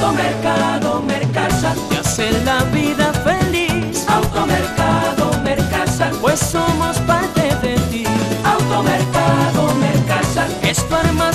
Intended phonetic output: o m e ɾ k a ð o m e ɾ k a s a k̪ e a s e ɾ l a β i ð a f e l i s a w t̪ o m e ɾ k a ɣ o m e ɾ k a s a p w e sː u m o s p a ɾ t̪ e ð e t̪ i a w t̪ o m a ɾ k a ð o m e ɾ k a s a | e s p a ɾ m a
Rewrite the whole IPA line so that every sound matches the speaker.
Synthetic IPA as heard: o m e ɾ k a ð o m e ɾ k a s a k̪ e a s e ɾ l a β i ð a f e l i s a w t̪ o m e ɾ k a ð o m e ɾ k a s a p w e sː o m o s p a ɾ t̪ e ð e t̪ i a w t̪ o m e ɾ k a ð o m e ɾ k a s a | e s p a ɾ m a